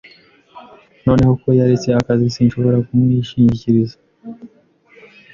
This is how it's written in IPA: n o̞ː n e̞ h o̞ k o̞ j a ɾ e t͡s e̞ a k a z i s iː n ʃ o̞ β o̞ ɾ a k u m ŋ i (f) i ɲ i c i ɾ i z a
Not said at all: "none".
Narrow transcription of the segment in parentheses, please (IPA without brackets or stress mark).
ʃ